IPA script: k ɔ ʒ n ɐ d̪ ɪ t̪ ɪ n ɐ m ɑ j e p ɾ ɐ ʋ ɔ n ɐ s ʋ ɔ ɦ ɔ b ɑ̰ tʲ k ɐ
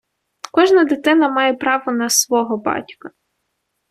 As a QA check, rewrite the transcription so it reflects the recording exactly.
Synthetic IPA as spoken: k ɔ ʒ n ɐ d̪ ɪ t̪ ɪ n ɐ m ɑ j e p ɾ ɑ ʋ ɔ n ɐ s ʋ ɔ ɦ ɔ b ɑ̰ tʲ k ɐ